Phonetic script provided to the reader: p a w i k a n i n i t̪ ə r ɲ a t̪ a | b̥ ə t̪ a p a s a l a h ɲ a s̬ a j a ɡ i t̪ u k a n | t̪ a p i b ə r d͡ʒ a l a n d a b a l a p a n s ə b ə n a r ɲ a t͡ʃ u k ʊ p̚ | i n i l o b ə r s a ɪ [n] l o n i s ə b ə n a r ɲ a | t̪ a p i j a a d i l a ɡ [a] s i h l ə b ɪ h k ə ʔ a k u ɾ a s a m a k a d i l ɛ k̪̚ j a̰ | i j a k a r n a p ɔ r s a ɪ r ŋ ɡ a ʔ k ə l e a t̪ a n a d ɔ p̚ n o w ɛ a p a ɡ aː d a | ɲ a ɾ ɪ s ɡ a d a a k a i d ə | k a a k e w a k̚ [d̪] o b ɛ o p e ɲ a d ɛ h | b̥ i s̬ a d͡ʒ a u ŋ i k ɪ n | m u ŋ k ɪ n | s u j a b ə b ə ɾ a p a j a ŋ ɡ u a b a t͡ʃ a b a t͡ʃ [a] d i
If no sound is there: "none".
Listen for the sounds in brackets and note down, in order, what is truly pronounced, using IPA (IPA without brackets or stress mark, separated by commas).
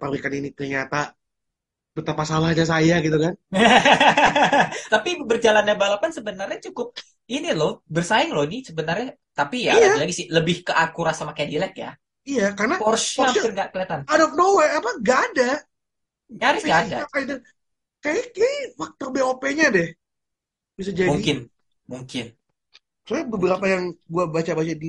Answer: ŋ, i, t̪, a